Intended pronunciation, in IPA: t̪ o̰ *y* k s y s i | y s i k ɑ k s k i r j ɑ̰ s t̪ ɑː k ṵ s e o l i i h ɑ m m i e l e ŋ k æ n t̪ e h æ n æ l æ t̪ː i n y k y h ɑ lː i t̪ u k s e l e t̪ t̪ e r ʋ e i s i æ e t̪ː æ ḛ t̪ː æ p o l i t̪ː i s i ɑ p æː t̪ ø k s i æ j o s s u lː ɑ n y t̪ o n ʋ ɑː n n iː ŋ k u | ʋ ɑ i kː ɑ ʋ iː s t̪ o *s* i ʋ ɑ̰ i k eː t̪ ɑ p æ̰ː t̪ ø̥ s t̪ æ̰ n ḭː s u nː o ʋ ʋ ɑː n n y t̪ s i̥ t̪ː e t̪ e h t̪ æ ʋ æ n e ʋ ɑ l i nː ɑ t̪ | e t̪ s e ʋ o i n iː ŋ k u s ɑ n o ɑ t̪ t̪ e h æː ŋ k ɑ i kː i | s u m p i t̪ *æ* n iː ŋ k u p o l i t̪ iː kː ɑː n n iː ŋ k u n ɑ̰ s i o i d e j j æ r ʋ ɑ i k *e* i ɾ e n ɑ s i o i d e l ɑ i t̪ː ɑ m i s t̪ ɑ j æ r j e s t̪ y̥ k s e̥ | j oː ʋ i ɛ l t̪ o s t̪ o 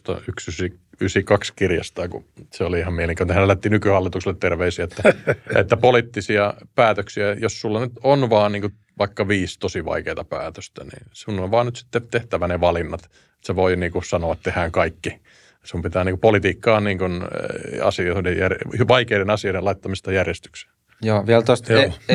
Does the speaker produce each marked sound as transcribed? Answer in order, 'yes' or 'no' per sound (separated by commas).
yes, yes, no, yes